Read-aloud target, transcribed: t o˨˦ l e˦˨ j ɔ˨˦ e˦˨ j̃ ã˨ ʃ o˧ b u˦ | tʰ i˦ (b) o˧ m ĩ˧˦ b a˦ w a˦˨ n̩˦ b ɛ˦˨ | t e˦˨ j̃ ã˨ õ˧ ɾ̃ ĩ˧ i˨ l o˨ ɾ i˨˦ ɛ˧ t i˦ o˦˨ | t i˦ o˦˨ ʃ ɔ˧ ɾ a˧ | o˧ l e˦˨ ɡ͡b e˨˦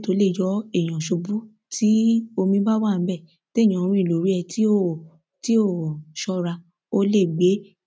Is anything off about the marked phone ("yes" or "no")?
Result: yes